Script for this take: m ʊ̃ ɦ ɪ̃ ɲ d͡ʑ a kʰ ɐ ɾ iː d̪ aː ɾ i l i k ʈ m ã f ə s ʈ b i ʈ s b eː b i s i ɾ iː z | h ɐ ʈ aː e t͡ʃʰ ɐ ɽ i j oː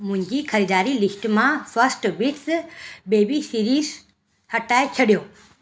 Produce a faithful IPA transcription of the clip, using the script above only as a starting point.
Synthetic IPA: m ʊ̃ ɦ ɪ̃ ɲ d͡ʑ i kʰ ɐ ɾ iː d̪ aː ɾ i l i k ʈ m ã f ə s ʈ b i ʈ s b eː b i s i ɾ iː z | h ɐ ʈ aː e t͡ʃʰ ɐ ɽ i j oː

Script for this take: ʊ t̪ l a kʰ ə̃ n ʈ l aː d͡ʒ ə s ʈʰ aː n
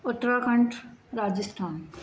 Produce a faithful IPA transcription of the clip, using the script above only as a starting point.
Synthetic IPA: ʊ t̪ ɾ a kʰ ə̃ ɳ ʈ ɾ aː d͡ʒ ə s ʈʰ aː n

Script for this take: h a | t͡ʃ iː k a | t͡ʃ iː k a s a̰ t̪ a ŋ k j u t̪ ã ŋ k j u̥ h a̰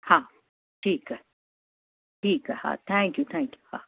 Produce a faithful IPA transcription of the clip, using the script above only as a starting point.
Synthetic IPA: h a | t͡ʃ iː k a | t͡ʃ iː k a h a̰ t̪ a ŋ k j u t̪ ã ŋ k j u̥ h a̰

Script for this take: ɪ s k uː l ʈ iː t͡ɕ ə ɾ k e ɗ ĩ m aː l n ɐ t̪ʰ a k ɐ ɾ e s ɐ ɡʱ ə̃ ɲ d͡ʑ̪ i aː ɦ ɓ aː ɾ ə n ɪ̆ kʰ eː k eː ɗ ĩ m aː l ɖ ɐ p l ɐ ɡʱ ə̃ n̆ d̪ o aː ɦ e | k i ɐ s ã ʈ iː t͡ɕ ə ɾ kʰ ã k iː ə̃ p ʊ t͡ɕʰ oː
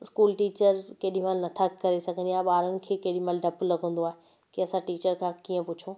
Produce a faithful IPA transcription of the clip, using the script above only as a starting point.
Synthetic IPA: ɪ s k uː l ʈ iː t͡ɕ ə ɾ k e ɗ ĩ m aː l n ɐ t̪ʰ a k ɐ ɾ e s ɐ ɡʱ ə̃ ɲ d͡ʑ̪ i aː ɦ ɓ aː ɾ ə n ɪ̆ kʰ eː k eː ɗ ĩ m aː l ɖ ɐ p l ɐ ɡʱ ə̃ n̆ d̪ o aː ɦ e | k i ɐ s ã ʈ iː t͡ɕ ə ɾ kʰ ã k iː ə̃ p ʊ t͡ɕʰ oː

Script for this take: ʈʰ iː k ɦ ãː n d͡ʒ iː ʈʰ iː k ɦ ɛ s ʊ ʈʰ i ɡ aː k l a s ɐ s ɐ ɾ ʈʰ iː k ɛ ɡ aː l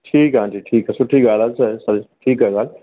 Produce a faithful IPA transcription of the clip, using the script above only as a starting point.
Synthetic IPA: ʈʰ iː k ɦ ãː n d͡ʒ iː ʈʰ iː k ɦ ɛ s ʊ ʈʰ i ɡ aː l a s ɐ s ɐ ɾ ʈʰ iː k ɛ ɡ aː l

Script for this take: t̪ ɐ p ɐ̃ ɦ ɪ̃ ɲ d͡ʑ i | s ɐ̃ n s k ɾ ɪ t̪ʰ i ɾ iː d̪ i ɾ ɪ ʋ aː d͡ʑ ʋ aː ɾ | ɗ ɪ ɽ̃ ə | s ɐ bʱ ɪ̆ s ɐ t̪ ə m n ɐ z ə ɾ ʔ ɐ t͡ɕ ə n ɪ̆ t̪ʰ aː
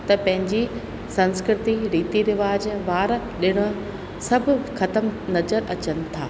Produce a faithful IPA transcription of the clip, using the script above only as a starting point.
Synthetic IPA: t̪ ɐ p ɐ̃ ɦ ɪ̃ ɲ d͡ʑ i | s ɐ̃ n s k ɾ ɪ t̪ i ɾ iː t̪ i ɾ ɪ ʋ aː d͡ʑ ʋ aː ɾ | ɗ ɪ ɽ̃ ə | s ɐ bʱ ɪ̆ x ɐ t̪ ə m n ɐ z ə ɾ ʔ ɐ t͡ɕ ə n ɪ̆ t̪ʰ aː

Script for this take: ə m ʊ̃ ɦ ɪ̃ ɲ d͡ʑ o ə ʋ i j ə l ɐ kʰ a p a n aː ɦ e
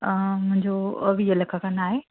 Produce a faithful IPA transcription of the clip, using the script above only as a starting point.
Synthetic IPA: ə m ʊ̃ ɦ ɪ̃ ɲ d͡ʑ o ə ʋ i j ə l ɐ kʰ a k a n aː ɦ e

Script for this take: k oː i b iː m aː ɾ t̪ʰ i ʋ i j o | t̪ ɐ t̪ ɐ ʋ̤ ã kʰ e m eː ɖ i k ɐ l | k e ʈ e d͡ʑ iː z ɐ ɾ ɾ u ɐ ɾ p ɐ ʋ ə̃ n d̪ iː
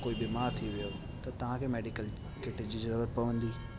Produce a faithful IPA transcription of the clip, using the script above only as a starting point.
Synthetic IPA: k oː i b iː m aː ɾ t̪ʰ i ʋ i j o | t̪ ɐ t̪ ɐ ʋ̤ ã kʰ e m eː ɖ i k ə l | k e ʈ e d͡ʑ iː z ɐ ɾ ɾ u ə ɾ p ɐ ʋ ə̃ n d̪ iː

